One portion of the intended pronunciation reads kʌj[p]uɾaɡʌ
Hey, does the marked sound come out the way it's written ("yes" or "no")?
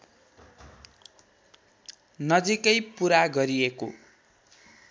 yes